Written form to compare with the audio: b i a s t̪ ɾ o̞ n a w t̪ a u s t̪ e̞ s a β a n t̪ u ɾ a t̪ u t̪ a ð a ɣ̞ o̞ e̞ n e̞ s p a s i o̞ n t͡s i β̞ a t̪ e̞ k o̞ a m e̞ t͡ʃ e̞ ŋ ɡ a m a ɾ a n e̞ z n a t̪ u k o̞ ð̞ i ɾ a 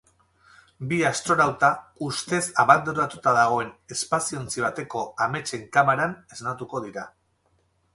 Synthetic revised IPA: b i a s t̪ ɾ o̞ n a w t̪ a u s t̪ e̞ s a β a n d̪ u ɾ a t̪ u t̪ a ð a ɣ̞ o̞ e̞ n e̞ s p a s i o̞ n t͡s i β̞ a t̪ e̞ k o̞ a m e̞ t͡ʃ e̞ ŋ k a m a ɾ a n e̞ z n a t̪ u k o̞ ð̞ i ɾ a